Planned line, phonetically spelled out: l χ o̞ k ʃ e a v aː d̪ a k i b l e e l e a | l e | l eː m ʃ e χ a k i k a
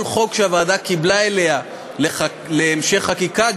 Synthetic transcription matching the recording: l χ o̞ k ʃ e a v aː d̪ a k i b l a e l e a | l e | l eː m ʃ e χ a k i k a